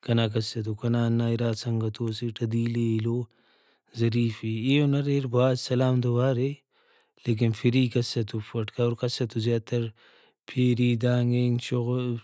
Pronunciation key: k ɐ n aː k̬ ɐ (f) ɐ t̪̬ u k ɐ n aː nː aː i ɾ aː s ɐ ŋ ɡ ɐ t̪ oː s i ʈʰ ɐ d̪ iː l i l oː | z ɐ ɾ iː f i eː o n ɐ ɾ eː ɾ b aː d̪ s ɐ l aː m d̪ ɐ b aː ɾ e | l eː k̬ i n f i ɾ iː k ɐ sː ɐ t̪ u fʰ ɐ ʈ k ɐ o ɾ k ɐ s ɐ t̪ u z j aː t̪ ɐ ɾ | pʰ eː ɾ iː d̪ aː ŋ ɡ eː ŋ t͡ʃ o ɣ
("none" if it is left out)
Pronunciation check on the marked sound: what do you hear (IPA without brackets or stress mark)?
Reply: s